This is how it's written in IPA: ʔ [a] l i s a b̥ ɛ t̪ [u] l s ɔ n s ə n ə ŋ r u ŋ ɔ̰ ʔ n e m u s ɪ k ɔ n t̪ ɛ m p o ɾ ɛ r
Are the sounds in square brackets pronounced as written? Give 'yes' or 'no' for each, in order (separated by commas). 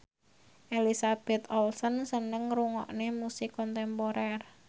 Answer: no, no